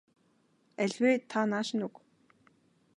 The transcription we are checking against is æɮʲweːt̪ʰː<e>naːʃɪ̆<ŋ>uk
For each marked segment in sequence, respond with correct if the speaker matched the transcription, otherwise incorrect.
incorrect, incorrect

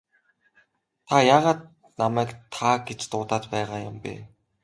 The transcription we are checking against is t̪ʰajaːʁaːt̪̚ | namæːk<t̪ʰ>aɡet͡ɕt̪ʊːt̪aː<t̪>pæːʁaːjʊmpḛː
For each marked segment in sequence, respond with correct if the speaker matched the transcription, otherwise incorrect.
correct, correct

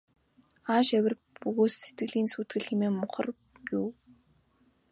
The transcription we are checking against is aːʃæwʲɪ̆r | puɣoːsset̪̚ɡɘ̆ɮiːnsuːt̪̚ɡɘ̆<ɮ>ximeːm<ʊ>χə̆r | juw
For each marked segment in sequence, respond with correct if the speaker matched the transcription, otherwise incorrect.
correct, correct

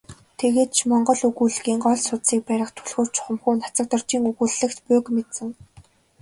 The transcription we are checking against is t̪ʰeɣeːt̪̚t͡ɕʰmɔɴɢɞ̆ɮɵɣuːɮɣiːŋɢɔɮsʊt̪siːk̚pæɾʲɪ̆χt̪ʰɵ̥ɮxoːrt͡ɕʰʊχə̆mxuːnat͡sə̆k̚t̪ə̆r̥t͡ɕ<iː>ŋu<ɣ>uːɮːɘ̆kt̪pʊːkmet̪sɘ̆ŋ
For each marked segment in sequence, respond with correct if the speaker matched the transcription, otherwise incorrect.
correct, correct

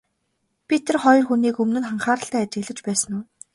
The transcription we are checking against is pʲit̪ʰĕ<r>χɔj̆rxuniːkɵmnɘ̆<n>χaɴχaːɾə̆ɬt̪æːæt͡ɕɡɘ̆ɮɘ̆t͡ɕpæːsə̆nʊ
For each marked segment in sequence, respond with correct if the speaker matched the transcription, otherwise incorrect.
correct, correct

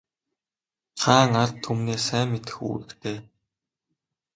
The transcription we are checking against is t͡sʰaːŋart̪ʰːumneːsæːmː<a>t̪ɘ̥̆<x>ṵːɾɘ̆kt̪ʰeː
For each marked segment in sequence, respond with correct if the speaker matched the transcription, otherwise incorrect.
incorrect, correct

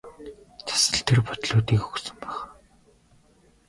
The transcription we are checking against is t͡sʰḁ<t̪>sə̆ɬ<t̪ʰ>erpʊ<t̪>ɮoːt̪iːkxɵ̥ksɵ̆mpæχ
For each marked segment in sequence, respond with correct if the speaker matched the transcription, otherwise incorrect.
incorrect, correct, correct

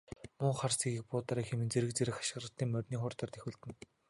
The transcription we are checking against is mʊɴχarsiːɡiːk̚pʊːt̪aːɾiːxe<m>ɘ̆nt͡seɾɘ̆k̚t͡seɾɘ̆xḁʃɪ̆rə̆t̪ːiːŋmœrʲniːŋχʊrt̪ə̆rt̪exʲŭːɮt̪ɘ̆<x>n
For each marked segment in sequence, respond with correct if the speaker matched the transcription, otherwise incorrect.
correct, incorrect

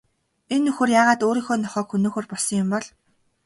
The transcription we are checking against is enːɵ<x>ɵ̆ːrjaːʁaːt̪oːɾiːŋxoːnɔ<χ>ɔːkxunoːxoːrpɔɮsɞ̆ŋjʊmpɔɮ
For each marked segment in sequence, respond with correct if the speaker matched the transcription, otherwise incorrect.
correct, correct

